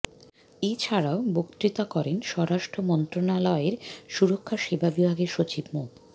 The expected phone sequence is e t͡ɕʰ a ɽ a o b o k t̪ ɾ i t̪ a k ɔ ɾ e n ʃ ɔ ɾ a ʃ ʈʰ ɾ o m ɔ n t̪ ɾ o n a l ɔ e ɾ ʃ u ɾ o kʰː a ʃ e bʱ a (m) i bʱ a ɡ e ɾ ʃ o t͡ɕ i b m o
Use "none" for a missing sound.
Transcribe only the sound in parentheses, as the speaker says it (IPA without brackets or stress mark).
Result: b